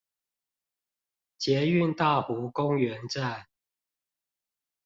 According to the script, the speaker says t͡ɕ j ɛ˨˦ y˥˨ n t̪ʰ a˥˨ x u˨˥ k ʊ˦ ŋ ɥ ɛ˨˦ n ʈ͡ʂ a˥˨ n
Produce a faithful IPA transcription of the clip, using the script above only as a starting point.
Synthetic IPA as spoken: t͡ɕ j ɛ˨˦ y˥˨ n t̪ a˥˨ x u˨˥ k ʊ˦ ŋ ɥ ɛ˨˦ n ʈ͡ʂ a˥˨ n